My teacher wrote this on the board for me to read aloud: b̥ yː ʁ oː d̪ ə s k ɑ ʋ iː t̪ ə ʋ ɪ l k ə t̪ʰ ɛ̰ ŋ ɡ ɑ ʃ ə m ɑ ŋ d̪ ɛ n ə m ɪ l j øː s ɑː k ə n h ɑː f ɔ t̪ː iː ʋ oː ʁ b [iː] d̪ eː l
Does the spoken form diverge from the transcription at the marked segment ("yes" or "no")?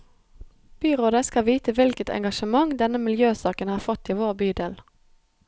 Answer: yes